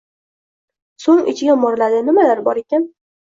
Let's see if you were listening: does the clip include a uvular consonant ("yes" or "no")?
no